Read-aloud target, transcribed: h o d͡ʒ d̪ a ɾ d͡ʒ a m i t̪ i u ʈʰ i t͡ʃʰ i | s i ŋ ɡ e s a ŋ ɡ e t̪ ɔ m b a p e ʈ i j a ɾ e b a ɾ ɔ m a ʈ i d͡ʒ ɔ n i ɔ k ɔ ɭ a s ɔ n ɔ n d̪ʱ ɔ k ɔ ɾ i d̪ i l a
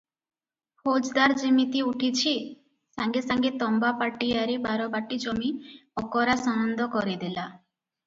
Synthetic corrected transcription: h o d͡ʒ d̪ a ɾ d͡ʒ i m i t̪ i u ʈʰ i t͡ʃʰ i | s a ŋ ɡ e s a ŋ ɡ e t̪ ɔ m b a p a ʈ i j a ɾ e b a ɾ ɔ b a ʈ i d͡ʒ ɔ m i ɔ k ɔ ɾ a s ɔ n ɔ n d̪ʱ ɔ k ɔ ɾ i d̪ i l a